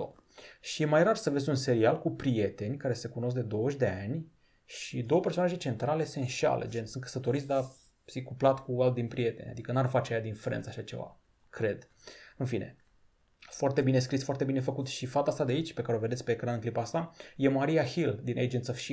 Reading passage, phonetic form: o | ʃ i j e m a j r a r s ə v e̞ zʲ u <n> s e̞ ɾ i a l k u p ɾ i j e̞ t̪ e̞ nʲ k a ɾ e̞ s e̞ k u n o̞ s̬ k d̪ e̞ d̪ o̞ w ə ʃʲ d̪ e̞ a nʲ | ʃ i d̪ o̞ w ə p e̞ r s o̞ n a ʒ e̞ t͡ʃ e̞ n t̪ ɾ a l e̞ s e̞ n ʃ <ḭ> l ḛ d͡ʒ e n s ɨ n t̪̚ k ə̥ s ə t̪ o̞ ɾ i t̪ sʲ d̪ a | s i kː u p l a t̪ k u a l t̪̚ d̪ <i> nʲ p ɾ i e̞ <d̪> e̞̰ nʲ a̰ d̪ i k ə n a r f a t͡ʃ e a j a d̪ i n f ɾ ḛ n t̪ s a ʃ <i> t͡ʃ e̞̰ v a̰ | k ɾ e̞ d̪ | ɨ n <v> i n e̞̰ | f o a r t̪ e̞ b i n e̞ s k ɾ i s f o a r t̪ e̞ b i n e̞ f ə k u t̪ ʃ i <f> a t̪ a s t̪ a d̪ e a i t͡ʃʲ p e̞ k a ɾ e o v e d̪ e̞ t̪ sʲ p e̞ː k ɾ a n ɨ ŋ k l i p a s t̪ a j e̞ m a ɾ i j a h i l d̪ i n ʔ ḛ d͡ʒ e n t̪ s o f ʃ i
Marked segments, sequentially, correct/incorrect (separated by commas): correct, incorrect, correct, incorrect, incorrect, incorrect, correct